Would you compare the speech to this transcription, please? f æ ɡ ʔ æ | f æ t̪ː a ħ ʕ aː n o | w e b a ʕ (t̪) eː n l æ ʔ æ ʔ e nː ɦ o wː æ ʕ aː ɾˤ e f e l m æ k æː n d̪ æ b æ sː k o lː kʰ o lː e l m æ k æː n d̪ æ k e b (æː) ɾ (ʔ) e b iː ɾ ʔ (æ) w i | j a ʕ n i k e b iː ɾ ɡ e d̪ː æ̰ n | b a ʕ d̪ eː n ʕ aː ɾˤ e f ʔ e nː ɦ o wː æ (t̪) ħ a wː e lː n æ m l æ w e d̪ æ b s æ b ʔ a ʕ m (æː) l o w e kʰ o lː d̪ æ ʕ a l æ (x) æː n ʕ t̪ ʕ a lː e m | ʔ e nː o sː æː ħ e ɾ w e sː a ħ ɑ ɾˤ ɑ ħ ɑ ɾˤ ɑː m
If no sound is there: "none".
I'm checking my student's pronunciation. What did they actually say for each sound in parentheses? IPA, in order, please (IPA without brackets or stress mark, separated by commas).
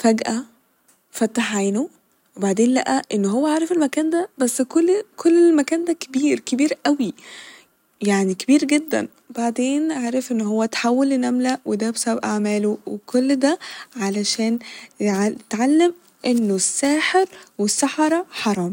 d̪, iː, k, æ, t̪, æː, ʃ